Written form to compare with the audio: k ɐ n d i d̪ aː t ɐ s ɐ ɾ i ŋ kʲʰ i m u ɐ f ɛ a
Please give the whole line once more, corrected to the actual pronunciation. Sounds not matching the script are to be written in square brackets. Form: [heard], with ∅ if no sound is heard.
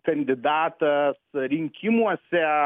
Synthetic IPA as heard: k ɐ n d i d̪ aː t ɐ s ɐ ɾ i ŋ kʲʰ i m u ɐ [s] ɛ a